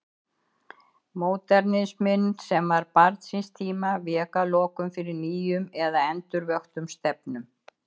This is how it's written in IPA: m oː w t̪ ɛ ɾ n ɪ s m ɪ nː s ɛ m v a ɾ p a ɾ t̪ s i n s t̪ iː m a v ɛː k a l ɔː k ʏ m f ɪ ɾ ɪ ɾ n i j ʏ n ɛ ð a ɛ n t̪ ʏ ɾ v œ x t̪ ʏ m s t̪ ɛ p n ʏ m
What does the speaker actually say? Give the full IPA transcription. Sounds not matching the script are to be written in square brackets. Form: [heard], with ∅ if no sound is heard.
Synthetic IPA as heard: m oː w t̪ ɛ ɾ n ɪ s m ɪ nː s ɛ m v a ɾ p a ɾ t̪ s i n s [t̪ʰ] iː m a v ɛː k a l ɔː k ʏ m f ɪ ɾ ɪ ɾ n [iː] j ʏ [m] ɛ ð a ɛ n t̪ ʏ ɾ v œ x t̪ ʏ m s t̪ ɛ p n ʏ m